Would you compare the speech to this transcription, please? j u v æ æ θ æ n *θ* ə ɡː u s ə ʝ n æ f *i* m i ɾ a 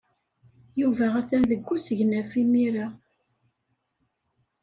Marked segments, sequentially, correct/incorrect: incorrect, correct

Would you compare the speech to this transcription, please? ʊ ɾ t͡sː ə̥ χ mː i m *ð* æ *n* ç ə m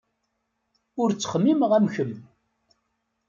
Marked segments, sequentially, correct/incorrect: incorrect, incorrect

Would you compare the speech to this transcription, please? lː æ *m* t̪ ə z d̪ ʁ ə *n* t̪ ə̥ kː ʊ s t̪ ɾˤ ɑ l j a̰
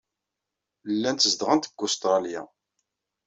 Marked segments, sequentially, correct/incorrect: incorrect, correct

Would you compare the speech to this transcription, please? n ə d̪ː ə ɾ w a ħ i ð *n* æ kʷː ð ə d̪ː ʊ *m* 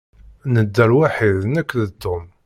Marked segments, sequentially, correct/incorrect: correct, correct

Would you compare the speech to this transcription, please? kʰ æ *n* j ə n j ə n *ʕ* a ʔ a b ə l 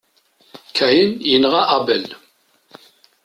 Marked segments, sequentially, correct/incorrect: incorrect, incorrect

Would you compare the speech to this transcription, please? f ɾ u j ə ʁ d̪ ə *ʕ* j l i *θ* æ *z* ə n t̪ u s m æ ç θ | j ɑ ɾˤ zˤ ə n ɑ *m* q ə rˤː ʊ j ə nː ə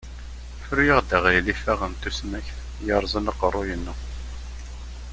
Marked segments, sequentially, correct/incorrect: incorrect, incorrect, incorrect, incorrect

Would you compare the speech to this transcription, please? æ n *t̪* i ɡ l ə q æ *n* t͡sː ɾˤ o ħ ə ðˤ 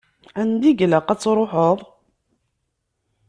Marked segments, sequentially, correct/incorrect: incorrect, incorrect

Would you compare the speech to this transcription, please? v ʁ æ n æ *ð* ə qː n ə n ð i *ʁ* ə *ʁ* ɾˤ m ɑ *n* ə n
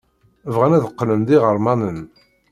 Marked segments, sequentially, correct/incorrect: correct, correct, incorrect, correct

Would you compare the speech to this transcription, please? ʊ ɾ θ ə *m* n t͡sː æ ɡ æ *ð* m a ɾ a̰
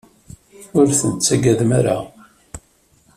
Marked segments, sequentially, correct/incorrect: incorrect, correct

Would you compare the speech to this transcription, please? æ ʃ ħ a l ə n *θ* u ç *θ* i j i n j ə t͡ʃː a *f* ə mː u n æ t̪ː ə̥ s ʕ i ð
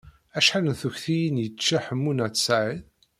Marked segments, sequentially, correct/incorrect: correct, correct, incorrect

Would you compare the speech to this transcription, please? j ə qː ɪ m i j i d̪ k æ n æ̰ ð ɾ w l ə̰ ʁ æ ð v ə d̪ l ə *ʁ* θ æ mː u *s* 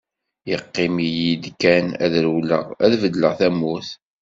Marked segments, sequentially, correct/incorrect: correct, incorrect

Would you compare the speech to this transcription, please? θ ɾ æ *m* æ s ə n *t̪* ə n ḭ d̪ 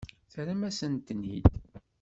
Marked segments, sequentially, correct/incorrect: correct, correct

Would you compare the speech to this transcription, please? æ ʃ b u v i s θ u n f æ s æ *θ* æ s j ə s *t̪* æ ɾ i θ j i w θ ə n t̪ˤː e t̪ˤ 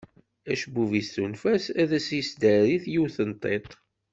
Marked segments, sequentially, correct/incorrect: incorrect, incorrect

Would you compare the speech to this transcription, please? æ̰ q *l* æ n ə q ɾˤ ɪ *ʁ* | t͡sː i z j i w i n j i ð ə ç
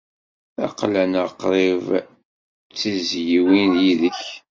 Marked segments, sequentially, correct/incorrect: correct, incorrect

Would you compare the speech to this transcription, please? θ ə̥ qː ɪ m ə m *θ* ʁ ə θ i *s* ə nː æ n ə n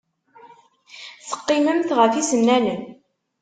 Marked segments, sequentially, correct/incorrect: correct, correct

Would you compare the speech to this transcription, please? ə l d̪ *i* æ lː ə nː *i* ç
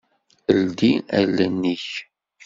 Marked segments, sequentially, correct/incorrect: correct, correct

